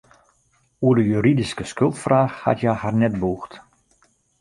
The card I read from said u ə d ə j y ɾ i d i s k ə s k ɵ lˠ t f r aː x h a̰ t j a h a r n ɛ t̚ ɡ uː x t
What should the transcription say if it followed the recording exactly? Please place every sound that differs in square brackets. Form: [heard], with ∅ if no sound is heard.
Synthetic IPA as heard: u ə d ə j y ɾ i d i s k ə s k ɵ lˠ t f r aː x h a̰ t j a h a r n ɛ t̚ [b] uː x t